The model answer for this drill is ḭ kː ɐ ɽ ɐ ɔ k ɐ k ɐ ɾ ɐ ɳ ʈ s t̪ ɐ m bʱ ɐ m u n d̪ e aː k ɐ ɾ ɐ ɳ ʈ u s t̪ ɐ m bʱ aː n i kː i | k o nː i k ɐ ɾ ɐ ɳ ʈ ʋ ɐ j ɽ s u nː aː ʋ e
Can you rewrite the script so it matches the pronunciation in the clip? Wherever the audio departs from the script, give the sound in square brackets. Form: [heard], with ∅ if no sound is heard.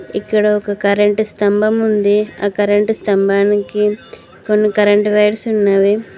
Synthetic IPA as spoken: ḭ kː ɐ ɽ ɐ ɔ k ɐ k ɐ ɾ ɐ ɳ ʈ s t̪ ɐ m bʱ ɐ m u n d̪ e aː k ɐ ɾ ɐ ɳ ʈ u s t̪ ɐ m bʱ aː n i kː i | k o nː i k ɐ ɾ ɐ ɳ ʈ ʋ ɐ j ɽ s u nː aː ʋ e